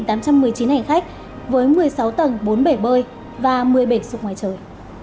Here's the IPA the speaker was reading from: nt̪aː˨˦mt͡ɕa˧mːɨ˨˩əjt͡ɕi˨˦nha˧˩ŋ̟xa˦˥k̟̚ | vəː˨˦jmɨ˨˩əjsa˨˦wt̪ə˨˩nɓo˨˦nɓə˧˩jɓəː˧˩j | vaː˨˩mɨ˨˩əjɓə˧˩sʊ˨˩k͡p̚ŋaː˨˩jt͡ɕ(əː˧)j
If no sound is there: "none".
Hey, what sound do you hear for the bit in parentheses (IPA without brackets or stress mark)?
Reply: əː˨˩